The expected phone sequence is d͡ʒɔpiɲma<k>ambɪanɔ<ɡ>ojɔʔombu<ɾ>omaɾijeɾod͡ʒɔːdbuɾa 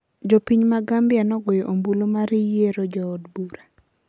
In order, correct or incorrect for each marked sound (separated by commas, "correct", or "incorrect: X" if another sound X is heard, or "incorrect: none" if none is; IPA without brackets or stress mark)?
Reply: incorrect: ɡ, correct, incorrect: l